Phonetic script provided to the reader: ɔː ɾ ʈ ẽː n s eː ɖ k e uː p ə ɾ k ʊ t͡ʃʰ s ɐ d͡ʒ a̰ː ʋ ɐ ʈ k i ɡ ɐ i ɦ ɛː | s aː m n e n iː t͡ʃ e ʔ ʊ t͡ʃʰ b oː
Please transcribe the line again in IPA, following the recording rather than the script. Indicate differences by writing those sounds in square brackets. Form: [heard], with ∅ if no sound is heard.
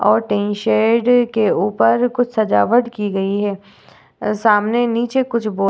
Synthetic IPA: ɔː ɾ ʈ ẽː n [ʃ] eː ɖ k e uː p ə ɾ k ʊ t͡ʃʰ s ɐ d͡ʒ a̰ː ʋ [ə] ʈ k i ɡ ɐ i ɦ ɛː | s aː m n e n iː t͡ʃ e [k] ʊ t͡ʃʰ b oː